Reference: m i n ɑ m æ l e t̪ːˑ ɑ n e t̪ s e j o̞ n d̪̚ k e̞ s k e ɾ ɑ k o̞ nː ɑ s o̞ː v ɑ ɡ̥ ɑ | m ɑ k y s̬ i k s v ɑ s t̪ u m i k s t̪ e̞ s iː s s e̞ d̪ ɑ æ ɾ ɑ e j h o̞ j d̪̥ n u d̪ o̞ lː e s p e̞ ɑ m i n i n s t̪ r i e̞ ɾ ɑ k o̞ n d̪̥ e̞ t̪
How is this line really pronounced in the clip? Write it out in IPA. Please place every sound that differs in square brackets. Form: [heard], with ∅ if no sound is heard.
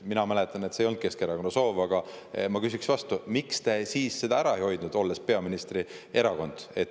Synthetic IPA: m i n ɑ m æ l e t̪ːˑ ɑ n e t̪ s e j o̞ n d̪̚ k e̞ s k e ɾ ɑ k o̞ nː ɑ s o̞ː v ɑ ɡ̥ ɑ | m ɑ k y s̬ i k s v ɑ s t̪ u m i k s t̪ e̞ s iː s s e̞ d̪ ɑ æ ɾ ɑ e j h o̞ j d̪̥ n u d̪ o̞ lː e s p e̞ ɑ m i n i [∅] s t̪ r i e̞ ɾ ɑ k o̞ n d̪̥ e̞ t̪